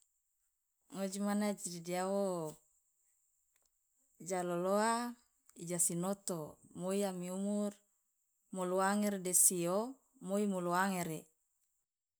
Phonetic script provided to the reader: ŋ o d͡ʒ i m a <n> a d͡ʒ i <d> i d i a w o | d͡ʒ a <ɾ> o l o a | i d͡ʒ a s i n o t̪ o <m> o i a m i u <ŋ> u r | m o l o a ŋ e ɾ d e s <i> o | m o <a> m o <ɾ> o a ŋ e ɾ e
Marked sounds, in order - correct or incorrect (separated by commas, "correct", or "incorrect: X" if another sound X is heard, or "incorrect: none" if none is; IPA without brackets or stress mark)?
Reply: correct, correct, incorrect: l, correct, incorrect: m, correct, incorrect: i, incorrect: l